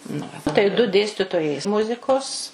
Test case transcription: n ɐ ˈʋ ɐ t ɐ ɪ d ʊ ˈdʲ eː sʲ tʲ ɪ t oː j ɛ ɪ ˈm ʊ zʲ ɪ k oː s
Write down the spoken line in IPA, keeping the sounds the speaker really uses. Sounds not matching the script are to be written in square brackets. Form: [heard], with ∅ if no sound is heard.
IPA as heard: n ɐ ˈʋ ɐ t ɐ ɪ d ʊ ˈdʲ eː sʲ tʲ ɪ t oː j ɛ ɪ ˈm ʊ zʲ ɪ k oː s